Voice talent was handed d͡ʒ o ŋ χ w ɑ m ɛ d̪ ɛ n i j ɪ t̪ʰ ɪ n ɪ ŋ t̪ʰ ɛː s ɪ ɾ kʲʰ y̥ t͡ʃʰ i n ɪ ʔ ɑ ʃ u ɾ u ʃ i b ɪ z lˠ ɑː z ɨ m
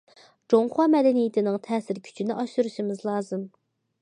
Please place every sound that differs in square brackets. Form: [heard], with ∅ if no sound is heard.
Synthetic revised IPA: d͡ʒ o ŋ χ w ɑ m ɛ d̪ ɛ n i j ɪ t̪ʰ ɪ n ɪ ŋ t̪ʰ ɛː s ɪ ɾ kʲʰ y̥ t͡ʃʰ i n ɪ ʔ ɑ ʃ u ɾ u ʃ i [m] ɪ z lˠ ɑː z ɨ m